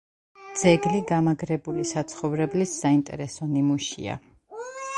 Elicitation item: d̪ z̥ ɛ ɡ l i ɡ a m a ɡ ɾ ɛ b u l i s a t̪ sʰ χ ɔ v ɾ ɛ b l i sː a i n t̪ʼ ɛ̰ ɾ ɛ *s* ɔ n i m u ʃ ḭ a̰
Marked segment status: correct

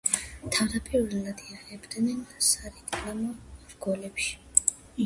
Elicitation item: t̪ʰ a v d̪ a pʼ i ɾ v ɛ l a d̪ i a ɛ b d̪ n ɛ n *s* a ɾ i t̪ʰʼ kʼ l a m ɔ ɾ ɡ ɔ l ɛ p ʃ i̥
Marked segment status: correct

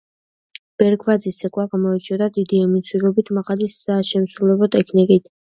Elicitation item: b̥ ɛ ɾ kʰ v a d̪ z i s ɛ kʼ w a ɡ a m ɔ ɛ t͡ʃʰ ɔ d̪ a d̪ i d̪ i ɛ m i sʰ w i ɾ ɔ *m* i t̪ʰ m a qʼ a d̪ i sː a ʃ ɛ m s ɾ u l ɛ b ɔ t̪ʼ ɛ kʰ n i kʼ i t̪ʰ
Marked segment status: incorrect: b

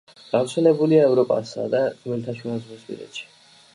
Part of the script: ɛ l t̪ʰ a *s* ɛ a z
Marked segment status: incorrect: ʃ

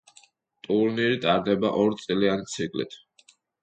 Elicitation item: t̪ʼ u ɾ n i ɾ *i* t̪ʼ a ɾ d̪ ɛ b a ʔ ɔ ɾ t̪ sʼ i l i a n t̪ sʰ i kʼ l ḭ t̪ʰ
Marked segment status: correct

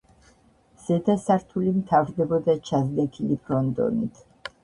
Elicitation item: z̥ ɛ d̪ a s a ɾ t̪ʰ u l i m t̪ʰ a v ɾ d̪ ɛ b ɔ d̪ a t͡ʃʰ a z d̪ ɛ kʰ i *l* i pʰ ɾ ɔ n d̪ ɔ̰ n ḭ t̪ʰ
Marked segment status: correct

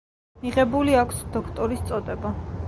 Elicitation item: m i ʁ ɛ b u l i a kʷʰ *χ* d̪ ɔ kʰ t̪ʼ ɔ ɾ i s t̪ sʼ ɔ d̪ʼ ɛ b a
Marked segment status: incorrect: s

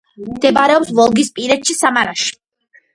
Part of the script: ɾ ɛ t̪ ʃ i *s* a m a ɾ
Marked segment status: correct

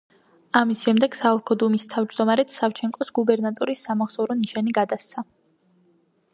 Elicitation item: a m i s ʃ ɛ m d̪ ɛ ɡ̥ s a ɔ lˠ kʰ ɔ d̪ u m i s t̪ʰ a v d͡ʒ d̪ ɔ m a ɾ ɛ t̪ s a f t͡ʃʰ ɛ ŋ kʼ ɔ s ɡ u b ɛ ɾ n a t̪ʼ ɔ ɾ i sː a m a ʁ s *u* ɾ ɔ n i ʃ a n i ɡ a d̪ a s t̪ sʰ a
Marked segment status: incorrect: ɔ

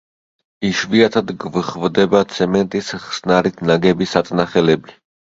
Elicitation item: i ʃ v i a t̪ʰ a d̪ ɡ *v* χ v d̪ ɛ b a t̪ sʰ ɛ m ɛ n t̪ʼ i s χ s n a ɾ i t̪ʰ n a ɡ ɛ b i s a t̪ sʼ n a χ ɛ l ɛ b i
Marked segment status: correct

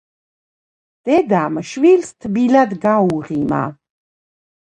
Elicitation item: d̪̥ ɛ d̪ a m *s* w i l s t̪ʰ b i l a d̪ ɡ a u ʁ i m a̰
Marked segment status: incorrect: ʃ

